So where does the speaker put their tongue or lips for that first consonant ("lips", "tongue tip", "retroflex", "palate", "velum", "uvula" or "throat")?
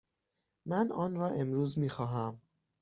lips